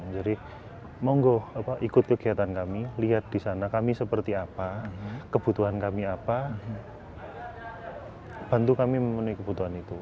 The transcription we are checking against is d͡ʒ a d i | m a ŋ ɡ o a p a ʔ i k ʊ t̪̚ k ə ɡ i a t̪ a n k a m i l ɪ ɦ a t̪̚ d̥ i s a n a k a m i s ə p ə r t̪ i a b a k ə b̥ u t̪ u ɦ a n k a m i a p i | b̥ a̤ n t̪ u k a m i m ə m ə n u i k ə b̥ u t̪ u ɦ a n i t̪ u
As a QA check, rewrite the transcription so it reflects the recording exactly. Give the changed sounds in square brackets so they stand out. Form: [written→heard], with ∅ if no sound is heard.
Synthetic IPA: d͡ʒ a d i | m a ŋ ɡ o a p a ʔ i k ʊ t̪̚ k ə ɡ i a t̪ a n k a m i l [ɪ→i] ɦ a t̪̚ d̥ i s a n a k a m i s ə p ə r t̪ i a [b→p] a k ə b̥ u t̪ u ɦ a n k a m i a p [i→a] | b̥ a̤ n t̪ u k a m i m ə m ə n u i k ə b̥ u t̪ u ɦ a n i t̪ u